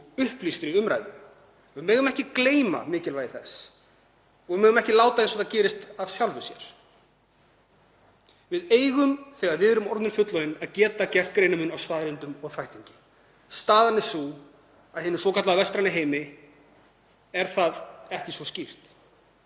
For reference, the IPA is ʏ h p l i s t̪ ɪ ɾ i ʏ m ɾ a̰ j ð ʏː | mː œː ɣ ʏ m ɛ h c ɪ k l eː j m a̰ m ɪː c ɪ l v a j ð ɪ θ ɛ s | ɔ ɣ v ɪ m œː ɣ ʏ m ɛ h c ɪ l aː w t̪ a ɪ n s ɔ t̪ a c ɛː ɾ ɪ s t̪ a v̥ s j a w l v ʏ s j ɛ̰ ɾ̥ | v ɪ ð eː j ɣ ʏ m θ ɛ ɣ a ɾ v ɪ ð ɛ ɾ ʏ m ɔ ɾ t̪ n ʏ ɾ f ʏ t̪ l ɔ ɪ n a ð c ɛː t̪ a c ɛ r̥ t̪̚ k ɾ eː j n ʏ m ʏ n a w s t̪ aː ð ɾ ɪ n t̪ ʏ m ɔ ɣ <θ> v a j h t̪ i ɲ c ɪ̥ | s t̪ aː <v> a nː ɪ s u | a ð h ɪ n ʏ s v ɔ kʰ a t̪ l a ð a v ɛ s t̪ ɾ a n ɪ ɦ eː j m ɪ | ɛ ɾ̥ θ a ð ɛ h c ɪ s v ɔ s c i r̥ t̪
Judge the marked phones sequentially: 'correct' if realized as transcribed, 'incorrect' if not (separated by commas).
correct, incorrect